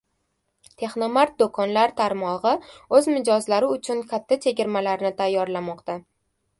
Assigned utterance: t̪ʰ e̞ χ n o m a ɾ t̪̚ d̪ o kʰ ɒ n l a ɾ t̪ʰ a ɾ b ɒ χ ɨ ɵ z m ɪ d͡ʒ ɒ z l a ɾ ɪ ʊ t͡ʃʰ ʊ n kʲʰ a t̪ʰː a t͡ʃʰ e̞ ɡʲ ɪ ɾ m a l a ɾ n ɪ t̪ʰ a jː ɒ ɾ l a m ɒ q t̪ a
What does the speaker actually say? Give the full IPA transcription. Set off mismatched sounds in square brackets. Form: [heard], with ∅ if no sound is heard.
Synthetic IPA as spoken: t̪ʰ e̞ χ n o m a ɾ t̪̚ d̪ o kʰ ɒ n l a ɾ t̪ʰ a ɾ [m] ɒ [ʁ] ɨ ɵ z m ɪ d͡ʒ ɒ z l a ɾ ɪ ʊ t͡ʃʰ ʊ n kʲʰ a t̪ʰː a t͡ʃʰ e̞ ɡʲ ɪ ɾ m a l a ɾ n ɪ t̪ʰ a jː ɒ ɾ l a m ɒ q t̪ a